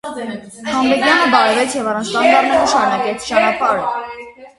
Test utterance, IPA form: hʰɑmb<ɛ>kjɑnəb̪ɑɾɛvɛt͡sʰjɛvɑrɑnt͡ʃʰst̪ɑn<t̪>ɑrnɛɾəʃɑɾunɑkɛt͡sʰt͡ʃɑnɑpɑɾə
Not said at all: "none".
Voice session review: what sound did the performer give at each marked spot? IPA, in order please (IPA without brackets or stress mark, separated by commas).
ɛ, d̪